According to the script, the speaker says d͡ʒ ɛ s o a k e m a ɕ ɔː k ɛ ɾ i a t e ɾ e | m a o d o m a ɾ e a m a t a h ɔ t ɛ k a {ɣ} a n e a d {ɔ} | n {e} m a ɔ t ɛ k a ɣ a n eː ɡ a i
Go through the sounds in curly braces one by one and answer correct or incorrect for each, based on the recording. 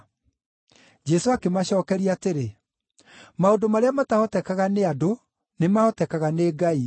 correct, incorrect: o, correct

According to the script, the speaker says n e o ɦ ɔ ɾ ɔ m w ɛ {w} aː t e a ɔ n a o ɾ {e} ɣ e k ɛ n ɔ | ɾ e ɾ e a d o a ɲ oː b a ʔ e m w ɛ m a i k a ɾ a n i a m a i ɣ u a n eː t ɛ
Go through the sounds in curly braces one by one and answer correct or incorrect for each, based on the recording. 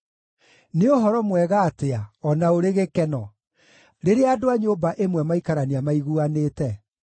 incorrect: ɣ, correct

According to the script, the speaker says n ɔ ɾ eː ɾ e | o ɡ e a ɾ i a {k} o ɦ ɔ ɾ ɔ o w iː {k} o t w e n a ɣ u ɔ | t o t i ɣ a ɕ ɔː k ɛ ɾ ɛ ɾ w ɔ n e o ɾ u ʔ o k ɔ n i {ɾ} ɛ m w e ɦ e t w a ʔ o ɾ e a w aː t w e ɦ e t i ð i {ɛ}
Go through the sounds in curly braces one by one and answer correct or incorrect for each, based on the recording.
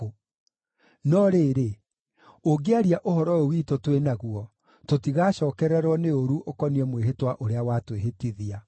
incorrect: ʔ, incorrect: t, incorrect: none, incorrect: a

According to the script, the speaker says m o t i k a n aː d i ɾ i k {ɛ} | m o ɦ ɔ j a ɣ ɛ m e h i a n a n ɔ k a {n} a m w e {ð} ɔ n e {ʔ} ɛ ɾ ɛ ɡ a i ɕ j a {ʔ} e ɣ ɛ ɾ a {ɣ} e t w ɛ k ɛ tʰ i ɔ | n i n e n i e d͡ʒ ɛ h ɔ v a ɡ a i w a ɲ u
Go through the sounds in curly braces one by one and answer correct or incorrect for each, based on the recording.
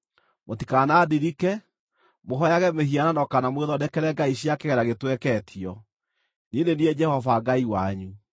correct, correct, correct, incorrect: k, incorrect: k, correct

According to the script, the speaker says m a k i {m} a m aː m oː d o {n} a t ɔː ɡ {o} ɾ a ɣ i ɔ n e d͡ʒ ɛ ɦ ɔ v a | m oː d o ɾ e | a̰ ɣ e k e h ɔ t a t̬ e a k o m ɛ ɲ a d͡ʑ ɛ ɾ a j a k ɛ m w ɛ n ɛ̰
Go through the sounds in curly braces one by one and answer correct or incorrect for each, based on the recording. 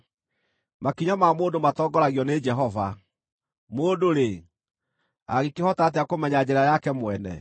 incorrect: ɲ, incorrect: m, incorrect: ɔ

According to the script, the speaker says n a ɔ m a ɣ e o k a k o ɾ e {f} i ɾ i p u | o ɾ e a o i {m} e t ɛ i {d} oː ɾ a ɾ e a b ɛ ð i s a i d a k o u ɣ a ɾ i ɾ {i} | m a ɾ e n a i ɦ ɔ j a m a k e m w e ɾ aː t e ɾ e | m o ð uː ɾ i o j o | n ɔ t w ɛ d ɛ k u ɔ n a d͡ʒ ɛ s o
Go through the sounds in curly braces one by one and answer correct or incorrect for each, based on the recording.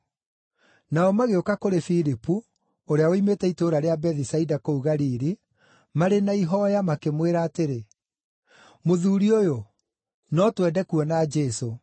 correct, correct, incorrect: t, correct

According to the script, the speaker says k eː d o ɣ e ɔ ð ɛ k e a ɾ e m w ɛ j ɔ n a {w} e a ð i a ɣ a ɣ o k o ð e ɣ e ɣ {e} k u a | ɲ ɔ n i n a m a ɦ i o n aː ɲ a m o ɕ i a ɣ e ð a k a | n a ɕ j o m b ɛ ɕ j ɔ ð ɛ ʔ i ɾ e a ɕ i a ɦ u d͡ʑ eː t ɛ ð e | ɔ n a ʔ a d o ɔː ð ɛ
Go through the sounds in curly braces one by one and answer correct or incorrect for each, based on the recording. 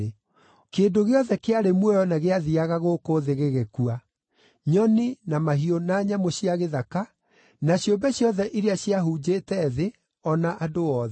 incorrect: ɣ, correct

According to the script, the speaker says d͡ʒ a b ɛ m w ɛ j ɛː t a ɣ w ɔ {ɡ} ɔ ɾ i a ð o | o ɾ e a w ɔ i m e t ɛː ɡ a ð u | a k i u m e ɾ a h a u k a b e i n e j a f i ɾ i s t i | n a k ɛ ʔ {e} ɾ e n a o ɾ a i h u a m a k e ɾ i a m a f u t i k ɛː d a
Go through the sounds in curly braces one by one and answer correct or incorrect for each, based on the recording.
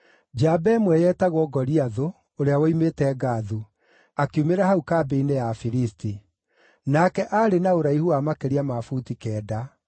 correct, incorrect: a

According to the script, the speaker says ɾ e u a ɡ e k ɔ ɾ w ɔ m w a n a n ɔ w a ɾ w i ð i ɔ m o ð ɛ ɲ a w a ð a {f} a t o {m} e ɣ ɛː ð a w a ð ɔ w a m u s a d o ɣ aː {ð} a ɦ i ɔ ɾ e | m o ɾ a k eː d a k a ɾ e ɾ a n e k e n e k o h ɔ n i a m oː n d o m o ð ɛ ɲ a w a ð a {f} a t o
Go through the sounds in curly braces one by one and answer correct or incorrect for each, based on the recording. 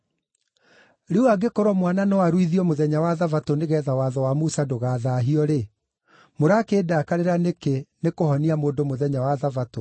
incorrect: v, incorrect: n, correct, incorrect: v

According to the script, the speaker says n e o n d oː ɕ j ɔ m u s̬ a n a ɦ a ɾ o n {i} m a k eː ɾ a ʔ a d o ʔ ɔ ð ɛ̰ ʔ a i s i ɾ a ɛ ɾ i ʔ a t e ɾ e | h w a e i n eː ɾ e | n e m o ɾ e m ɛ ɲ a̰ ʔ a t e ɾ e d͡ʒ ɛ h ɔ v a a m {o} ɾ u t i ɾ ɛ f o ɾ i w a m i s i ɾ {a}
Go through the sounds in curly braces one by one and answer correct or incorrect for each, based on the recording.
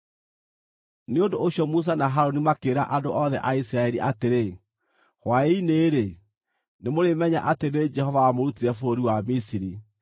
correct, correct, incorrect: i

